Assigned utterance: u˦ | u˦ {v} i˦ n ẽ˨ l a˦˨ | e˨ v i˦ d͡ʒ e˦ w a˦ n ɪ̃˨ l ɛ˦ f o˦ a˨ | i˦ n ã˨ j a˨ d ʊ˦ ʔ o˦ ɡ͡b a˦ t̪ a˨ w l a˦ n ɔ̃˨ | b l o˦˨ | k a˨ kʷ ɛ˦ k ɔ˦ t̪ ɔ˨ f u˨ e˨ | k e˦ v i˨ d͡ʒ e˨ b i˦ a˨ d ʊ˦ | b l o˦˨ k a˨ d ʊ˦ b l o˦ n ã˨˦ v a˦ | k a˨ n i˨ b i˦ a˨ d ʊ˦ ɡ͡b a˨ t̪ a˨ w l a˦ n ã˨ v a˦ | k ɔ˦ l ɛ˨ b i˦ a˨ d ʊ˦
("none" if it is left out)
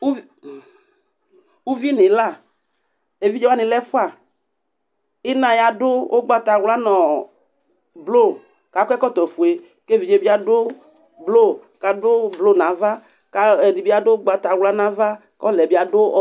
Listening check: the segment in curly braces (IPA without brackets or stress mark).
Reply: v